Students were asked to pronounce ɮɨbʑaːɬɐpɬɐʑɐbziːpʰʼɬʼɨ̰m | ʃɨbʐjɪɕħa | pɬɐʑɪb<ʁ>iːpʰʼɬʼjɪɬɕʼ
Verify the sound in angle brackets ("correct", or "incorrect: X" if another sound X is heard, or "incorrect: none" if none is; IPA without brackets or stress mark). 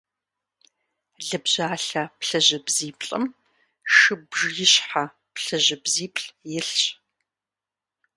incorrect: z